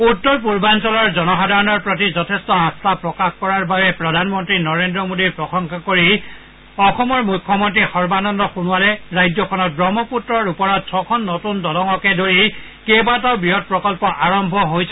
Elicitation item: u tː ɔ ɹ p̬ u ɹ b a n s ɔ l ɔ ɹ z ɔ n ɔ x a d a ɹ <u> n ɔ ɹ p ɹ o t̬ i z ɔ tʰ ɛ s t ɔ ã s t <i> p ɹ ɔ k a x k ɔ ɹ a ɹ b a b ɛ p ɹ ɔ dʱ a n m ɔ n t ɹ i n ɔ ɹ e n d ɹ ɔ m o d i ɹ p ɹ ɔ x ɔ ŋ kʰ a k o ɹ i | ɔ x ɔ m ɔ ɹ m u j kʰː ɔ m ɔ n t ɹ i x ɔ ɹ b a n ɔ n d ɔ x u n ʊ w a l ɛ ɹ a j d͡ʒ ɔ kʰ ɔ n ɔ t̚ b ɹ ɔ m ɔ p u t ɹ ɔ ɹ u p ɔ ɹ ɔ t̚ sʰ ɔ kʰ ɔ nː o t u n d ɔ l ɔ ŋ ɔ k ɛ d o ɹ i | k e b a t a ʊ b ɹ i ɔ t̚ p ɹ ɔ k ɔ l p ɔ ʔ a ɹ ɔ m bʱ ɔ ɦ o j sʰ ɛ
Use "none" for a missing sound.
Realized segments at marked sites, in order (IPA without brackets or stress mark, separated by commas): ɔ, a